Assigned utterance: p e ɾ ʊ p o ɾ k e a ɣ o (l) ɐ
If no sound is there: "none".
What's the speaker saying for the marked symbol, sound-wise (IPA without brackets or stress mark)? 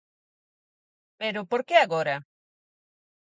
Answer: ɾ